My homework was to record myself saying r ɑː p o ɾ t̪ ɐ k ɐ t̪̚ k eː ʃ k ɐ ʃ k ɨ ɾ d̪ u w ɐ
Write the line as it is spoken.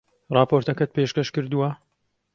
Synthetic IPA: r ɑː p o ɾ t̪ ɐ k ɐ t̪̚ p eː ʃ k ɐ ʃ k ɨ ɾ d̪ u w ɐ